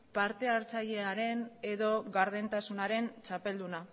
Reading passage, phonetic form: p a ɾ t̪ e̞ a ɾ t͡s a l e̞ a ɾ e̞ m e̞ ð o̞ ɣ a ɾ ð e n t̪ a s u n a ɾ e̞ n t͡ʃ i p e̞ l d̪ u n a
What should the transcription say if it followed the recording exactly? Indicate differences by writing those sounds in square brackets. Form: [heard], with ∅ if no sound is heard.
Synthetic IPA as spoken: p a ɾ t̪ e̞ a ɾ t͡s a [ʎ] e̞ a ɾ e̞ [n] e̞ ð o̞ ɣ a ɾ ð e n t̪ a s u n a ɾ e̞ n t͡ʃ [a] p e̞ l d̪ u n a